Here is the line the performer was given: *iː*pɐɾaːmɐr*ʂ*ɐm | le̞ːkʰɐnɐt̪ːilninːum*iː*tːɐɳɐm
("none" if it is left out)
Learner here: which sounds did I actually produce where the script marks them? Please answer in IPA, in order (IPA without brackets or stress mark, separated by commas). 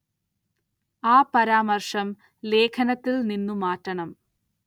aː, ʂ, aː